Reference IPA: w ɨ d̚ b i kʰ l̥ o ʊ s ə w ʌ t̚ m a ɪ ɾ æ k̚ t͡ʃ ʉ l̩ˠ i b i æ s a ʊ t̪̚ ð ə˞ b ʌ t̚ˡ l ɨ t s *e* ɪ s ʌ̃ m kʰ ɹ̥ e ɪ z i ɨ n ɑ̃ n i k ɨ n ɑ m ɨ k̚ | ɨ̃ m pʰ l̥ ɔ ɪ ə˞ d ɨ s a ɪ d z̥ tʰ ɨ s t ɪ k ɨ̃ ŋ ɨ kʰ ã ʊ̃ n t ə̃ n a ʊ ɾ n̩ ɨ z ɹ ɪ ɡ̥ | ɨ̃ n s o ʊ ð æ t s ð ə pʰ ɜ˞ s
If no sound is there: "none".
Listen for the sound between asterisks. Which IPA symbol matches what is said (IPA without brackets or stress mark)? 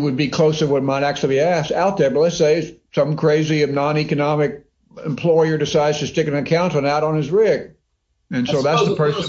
e